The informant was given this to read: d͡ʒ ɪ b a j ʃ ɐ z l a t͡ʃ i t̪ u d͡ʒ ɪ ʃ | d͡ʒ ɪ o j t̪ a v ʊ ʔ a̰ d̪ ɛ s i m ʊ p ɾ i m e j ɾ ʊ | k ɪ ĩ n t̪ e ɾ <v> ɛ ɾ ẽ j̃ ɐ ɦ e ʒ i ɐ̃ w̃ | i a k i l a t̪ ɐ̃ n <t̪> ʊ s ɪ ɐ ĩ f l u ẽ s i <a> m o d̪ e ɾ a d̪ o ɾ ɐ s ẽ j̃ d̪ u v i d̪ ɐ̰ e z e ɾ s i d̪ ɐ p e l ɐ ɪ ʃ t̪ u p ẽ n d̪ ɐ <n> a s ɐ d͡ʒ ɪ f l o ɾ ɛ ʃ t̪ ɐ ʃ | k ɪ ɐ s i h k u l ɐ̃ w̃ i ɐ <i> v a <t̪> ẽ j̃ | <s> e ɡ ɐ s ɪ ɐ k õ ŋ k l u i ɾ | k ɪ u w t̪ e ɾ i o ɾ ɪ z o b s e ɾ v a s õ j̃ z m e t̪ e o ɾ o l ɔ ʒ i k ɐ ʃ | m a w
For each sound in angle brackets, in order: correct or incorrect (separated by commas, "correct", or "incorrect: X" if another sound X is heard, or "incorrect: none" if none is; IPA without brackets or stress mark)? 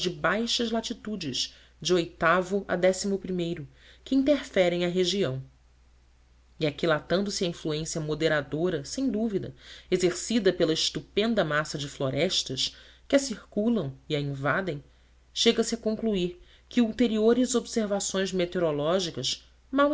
incorrect: f, incorrect: d̪, incorrect: ɐ, incorrect: m, incorrect: ĩ, incorrect: d̪, incorrect: ʃ